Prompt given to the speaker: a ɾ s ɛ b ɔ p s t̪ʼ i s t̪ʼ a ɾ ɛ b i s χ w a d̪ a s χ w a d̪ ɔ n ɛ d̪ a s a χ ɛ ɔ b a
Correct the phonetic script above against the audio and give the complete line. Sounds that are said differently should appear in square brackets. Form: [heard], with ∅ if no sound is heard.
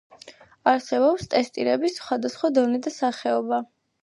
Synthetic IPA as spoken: a ɾ s ɛ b ɔ p s t̪ʼ [ɛ] s t̪ʼ [i] ɾ ɛ b i s χ w a d̪ a s χ w a d̪ ɔ n ɛ d̪ a s a χ ɛ ɔ b a